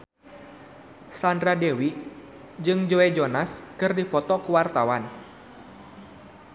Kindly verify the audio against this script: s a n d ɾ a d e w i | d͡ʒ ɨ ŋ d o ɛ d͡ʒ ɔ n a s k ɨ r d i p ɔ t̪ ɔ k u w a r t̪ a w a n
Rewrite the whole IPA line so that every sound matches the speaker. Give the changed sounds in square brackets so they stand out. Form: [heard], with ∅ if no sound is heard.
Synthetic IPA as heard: s a n d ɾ a d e w i | d͡ʒ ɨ ŋ [d͡ʒ] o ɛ d͡ʒ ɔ n a s k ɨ r d i p ɔ t̪ ɔ k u w a r t̪ a w a n